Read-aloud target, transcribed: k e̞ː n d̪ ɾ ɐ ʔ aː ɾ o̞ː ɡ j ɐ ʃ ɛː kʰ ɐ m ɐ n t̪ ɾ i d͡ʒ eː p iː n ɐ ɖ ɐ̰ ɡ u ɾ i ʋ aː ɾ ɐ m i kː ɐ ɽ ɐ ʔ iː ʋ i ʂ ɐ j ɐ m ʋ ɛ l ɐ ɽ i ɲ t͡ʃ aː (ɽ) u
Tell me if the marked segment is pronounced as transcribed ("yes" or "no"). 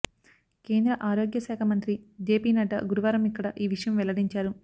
no